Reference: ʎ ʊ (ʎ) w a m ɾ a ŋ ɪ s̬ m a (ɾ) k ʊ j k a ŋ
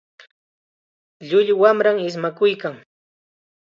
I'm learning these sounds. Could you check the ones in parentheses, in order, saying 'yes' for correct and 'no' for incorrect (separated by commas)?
yes, no